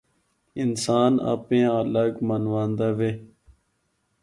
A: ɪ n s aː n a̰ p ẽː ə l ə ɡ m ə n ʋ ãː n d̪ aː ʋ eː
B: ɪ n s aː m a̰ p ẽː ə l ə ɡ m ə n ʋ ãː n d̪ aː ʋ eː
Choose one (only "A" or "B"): A